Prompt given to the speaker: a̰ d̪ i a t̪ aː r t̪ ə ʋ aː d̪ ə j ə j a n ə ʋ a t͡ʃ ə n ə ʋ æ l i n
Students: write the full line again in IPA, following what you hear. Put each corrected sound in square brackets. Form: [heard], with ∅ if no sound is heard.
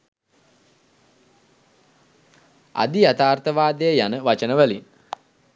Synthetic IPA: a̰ d̪ i a t̪ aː r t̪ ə ʋ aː d̪ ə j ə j a n ə ʋ a t͡ʃ ə n ə ʋ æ l i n